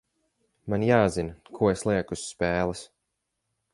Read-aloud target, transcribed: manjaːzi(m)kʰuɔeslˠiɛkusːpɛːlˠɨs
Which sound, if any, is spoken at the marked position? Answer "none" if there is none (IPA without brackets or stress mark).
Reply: n